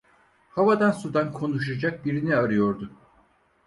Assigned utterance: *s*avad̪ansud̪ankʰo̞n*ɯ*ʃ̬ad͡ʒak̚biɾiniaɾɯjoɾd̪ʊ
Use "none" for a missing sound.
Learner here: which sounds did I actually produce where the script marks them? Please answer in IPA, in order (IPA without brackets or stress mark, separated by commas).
h, u